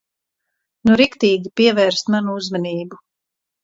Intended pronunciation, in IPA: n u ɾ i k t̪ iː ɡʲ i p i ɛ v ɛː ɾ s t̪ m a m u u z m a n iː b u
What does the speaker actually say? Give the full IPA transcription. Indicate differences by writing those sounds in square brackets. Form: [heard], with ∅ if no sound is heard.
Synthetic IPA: n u ɾ i k t̪ iː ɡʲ i p i ɛ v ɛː ɾ s t̪ m a [n] u u z m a n iː b u